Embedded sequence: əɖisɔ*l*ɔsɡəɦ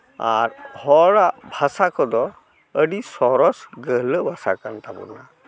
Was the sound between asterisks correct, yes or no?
no